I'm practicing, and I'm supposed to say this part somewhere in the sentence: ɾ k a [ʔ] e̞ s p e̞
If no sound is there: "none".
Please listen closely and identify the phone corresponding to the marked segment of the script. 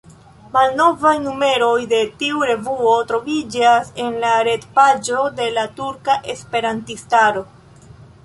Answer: ʔ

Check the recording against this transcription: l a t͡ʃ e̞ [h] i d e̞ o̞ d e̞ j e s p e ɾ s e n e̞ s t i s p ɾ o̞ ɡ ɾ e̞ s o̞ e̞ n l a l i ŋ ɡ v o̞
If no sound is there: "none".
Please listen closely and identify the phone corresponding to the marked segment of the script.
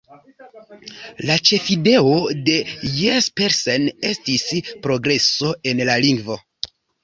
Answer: f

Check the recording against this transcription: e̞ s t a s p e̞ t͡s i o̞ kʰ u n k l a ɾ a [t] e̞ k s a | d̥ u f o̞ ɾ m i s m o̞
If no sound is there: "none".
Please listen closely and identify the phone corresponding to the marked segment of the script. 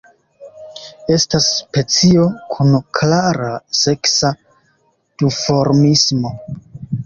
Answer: s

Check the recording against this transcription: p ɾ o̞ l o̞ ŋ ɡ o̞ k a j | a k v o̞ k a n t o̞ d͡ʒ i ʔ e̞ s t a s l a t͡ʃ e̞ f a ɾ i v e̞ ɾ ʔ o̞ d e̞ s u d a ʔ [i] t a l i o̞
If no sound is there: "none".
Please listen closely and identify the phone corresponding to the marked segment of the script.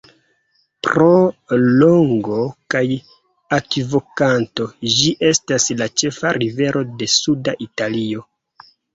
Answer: i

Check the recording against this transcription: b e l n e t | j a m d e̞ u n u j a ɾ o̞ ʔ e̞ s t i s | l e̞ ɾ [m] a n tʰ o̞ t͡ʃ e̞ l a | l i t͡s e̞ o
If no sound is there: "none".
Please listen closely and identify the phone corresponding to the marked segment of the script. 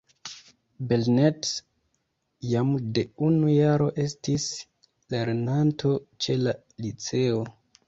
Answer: n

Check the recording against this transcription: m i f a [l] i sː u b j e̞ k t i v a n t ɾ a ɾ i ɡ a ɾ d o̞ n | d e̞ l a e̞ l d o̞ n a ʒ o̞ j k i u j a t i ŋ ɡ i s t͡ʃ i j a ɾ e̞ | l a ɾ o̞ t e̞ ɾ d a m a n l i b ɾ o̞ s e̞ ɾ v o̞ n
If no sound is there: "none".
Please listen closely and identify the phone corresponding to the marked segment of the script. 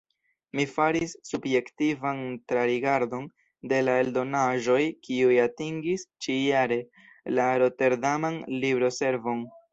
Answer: ɾ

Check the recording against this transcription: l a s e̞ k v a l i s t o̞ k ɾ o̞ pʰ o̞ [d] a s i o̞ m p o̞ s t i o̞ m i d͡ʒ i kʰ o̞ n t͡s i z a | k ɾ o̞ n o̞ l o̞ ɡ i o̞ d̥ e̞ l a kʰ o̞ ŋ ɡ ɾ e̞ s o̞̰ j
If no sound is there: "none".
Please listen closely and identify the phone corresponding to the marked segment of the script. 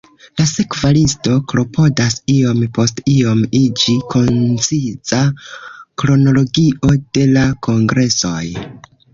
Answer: d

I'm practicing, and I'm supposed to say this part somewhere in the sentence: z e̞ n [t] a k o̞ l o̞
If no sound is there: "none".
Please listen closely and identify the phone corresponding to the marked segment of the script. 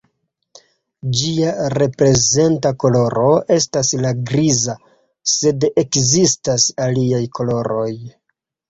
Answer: t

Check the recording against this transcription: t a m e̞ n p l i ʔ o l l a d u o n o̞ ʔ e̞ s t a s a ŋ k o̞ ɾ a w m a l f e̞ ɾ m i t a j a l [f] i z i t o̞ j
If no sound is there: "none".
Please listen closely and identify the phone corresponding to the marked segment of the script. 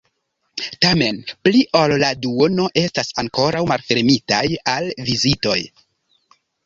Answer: v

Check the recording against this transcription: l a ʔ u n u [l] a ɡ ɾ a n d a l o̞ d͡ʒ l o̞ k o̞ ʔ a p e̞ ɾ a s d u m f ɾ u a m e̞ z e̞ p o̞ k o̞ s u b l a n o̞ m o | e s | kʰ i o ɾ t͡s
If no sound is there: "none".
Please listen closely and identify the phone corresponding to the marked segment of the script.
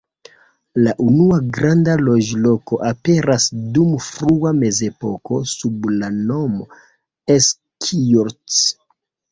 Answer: none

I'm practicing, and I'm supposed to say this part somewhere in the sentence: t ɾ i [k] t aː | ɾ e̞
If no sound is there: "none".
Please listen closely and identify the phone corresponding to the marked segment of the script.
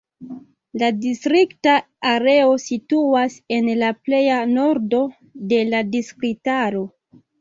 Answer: k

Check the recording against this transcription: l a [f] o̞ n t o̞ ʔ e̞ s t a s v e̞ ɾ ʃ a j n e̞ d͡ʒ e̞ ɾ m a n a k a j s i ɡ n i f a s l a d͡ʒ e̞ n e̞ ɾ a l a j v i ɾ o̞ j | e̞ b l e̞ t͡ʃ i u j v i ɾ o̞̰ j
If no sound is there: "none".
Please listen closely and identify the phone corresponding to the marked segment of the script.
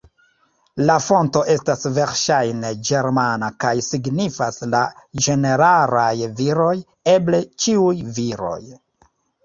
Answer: f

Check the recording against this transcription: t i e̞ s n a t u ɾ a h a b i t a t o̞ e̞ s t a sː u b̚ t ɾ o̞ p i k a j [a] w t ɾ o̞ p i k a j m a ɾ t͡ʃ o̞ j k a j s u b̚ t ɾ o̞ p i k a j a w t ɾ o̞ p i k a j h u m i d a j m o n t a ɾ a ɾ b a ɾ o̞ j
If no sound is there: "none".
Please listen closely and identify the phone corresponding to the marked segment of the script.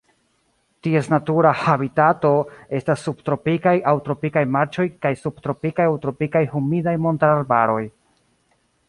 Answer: a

